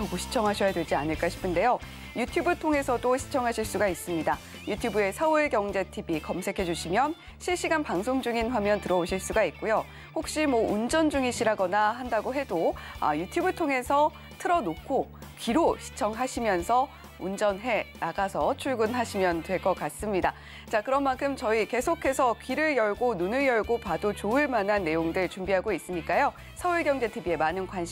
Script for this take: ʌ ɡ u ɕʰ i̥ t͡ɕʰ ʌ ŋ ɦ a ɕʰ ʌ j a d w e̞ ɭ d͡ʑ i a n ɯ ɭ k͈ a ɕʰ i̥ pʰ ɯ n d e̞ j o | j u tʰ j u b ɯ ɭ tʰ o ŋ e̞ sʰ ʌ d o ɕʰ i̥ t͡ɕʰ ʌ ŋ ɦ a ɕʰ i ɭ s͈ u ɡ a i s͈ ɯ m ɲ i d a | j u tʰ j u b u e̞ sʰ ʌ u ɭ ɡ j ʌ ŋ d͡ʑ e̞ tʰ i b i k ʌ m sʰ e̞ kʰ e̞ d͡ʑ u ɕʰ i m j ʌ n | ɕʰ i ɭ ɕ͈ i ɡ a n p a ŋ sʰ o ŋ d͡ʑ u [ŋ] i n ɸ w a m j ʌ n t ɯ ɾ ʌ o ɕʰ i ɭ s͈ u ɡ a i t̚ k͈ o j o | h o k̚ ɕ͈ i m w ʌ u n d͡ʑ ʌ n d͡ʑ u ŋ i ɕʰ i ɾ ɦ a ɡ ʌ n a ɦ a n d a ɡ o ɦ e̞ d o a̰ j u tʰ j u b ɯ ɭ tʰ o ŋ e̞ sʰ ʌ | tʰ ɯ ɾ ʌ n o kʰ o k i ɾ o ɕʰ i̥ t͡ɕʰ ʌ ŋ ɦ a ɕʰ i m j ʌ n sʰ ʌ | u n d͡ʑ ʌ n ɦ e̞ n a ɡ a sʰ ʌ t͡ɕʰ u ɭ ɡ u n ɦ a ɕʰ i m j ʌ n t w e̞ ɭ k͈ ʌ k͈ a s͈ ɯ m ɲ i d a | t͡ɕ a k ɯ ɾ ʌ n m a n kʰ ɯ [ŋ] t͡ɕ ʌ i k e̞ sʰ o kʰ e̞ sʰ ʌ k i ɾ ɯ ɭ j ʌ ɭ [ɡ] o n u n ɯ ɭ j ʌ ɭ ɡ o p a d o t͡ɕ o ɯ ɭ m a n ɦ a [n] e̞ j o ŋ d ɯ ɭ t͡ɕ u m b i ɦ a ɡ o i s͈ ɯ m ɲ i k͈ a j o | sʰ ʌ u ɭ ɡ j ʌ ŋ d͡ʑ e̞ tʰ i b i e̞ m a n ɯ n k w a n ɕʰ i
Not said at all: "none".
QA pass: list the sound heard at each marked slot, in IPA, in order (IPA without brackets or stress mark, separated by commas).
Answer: ŋ, m, ɡ, nː